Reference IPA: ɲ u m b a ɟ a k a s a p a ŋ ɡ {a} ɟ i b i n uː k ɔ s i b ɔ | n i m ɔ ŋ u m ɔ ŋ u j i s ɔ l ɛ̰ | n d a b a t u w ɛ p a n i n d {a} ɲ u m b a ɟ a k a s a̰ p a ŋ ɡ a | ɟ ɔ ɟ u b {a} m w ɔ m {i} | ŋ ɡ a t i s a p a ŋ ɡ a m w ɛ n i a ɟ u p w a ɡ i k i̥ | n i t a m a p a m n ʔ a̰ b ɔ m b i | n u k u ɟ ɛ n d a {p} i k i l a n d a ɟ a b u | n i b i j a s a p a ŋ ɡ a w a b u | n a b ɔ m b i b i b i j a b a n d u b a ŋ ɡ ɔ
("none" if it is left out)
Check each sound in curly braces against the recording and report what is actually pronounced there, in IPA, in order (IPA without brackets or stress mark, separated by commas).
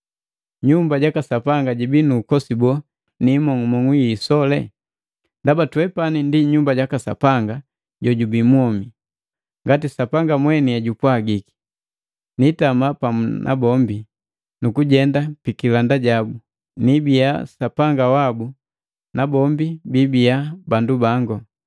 a, i, i, i, p